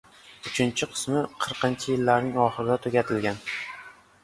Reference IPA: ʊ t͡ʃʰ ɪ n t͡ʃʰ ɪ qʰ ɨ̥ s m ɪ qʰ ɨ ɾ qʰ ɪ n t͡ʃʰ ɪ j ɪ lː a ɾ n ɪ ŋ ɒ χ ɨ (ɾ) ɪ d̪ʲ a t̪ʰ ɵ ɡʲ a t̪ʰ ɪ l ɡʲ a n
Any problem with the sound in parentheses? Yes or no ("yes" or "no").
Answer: no